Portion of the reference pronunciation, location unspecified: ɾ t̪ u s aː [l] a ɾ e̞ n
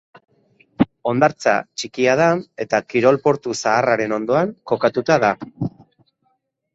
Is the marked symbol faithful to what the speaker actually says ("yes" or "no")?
no